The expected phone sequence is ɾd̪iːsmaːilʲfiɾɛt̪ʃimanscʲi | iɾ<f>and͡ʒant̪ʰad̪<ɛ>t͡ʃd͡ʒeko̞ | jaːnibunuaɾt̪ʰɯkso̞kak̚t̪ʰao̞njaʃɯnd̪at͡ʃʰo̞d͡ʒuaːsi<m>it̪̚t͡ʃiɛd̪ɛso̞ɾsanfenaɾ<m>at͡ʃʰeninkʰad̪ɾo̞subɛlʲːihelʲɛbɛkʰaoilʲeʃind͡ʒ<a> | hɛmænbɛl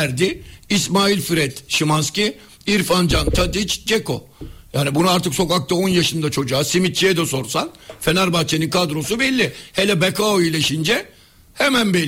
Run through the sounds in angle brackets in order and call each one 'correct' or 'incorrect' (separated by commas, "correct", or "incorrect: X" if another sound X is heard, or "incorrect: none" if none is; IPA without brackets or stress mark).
correct, incorrect: i, correct, incorrect: b, incorrect: ɛ